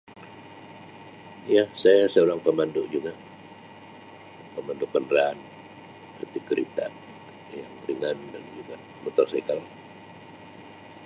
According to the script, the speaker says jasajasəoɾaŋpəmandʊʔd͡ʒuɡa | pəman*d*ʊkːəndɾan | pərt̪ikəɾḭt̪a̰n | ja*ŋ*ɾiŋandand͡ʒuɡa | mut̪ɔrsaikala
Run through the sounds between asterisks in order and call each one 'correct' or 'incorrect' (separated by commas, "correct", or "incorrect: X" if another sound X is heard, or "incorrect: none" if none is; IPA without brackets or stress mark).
correct, correct